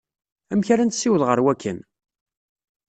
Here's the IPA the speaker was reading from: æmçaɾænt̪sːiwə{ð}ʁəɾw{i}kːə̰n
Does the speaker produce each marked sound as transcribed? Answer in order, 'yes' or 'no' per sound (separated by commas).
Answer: yes, no